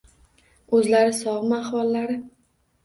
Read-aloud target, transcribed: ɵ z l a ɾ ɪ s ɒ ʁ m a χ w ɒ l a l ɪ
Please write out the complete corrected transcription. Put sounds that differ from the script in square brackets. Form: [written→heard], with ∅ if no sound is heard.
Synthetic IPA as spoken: ɵ z l a ɾ ɪ s ɒ ʁ m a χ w ɒ [l→lː] a [l→ɾ] ɪ